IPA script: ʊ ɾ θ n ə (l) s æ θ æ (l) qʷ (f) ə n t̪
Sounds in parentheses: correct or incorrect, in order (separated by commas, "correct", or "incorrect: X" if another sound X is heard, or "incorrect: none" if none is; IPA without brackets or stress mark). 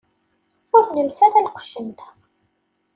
correct, correct, incorrect: ʃ